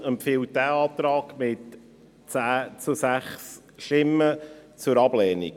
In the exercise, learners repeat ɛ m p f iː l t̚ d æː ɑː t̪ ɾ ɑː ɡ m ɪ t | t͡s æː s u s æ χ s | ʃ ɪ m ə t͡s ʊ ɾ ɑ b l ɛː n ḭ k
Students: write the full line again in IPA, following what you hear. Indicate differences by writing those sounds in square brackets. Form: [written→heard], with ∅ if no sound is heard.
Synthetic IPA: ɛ m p f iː l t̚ d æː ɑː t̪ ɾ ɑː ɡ m ɪ t | t͡s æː [s→t͡s] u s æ χ s | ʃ ɪ m ə t͡s ʊ ɾ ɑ b l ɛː n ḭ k

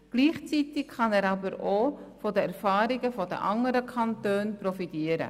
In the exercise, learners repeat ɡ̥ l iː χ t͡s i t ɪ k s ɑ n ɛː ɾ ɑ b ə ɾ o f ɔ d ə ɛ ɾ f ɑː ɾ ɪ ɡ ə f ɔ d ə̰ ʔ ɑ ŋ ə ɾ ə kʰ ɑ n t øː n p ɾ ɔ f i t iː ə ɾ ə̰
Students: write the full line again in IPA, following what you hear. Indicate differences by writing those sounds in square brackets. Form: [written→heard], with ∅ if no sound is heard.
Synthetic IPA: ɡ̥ l iː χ t͡s i t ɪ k [s→χ] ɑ n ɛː ɾ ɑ b ə ɾ o f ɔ d ə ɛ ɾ f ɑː ɾ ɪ ɡ ə f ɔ d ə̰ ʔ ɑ ŋ ə ɾ ə kʰ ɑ n t øː n p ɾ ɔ f i t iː ə ɾ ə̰

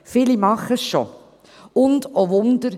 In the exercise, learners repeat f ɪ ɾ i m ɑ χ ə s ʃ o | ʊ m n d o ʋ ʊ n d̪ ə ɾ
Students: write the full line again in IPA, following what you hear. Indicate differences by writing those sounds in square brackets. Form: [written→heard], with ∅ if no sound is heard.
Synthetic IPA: f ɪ [ɾ→l] i m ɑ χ ə s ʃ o | ʊ [m→∅] n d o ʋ ʊ n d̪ ə ɾ

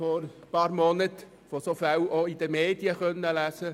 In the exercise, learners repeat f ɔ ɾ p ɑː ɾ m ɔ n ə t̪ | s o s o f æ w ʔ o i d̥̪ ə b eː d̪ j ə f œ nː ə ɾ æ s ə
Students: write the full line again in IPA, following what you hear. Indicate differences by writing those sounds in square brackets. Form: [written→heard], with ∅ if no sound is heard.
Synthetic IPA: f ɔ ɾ p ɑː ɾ m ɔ n ə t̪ | [s→f] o s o f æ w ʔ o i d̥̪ ə [b→m] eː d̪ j ə [f→χ] œ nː ə [ɾ→l] æ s ə

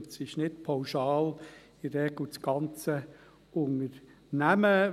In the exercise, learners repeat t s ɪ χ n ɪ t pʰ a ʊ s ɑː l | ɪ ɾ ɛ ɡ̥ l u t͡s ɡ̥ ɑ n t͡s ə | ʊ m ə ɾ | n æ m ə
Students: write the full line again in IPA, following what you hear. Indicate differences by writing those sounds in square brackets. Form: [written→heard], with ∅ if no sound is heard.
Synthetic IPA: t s ɪ [χ→ʃ] n ɪ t pʰ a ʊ [s→ʃ] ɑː l | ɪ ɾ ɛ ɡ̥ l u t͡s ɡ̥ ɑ n t͡s ə | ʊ [m→ŋ] ə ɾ | n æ m ə

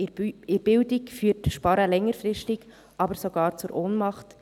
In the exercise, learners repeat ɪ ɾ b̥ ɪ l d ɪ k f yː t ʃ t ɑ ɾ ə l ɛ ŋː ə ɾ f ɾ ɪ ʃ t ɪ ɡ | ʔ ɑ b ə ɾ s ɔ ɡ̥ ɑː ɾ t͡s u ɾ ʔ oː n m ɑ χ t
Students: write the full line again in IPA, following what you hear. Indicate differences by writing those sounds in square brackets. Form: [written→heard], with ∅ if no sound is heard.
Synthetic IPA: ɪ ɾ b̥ ɪ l d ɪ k f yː t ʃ [t→p] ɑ ɾ ə l ɛ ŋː ə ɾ f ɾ ɪ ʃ t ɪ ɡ | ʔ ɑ b ə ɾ s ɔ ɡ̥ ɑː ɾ t͡s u ɾ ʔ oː n m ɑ χ t

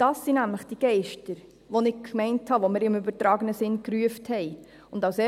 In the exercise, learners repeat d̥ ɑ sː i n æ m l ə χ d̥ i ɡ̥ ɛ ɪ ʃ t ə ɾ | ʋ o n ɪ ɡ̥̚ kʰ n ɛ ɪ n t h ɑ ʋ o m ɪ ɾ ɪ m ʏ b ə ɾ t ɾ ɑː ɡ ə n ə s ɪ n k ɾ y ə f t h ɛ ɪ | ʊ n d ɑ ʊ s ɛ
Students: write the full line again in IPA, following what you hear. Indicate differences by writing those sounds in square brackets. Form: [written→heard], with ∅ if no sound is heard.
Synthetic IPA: d̥ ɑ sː i n æ m l ə χ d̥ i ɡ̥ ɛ ɪ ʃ t ə ɾ | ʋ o n ɪ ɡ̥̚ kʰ [n→m] ɛ ɪ n t h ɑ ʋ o m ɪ ɾ ɪ m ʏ b ə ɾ t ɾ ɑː ɡ ə n ə s ɪ n k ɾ y ə f t h ɛ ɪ | ʊ n d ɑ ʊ s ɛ

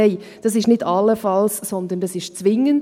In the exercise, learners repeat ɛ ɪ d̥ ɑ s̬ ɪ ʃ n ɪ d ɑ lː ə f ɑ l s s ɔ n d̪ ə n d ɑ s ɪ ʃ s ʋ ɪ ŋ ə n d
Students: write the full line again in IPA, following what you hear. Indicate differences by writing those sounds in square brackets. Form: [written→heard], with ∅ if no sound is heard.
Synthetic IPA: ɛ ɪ d̥ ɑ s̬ ɪ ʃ n ɪ d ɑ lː ə f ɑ l s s ɔ n d̪ ə n d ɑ s ɪ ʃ [s→t͡s] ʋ ɪ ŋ ə n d

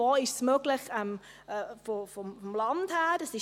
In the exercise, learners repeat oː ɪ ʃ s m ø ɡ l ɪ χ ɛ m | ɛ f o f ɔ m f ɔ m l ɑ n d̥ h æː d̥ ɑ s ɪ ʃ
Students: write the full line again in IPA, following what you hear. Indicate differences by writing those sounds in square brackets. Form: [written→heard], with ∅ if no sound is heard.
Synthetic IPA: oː ɪ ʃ s m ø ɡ l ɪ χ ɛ m | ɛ f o f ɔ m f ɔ m l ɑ n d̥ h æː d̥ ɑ s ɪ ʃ

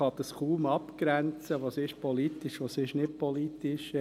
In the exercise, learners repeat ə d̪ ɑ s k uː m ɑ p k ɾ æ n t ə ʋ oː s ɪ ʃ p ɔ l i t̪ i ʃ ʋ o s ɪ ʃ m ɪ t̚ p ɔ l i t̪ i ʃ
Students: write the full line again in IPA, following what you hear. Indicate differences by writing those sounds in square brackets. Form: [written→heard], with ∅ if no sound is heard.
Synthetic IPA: [ə→ɑ] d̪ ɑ s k uː m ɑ p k ɾ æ n [t→t͡s] ə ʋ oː s ɪ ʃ p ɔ l i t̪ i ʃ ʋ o s ɪ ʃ [m→n] ɪ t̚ p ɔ l i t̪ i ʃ

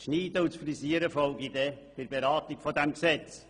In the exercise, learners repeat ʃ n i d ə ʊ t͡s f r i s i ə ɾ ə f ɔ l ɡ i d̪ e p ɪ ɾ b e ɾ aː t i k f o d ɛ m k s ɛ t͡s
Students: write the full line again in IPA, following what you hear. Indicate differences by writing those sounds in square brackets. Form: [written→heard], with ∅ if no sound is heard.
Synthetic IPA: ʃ n [i→iː] d ə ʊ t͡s f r i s i ə ɾ ə f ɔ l ɡ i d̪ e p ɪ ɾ b e ɾ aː t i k f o d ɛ m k s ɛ t͡s

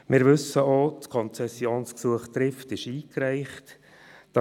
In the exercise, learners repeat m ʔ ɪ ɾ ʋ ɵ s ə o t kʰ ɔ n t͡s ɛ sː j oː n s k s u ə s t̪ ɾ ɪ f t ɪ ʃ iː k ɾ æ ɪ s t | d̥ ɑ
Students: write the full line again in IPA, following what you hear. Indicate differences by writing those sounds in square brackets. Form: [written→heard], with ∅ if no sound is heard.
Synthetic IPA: m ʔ ɪ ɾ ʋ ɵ s ə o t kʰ ɔ n t͡s ɛ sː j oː n s k s u ə [s→χ] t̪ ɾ ɪ f t ɪ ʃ iː k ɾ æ ɪ [s→χ] t | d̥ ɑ

